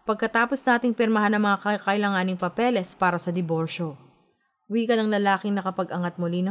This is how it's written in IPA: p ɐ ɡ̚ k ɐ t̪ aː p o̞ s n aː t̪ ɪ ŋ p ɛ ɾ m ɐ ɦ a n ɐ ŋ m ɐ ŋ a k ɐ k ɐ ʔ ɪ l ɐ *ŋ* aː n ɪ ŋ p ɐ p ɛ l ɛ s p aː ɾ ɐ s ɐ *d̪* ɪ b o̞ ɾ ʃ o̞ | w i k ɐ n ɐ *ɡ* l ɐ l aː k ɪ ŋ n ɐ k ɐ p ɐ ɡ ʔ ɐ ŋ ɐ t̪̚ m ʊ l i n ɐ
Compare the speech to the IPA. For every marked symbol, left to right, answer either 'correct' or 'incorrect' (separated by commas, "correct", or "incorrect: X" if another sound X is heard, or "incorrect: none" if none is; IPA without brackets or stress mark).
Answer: correct, correct, incorrect: ŋ